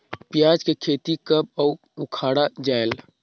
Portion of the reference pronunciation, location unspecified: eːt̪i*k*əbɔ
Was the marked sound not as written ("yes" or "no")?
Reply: no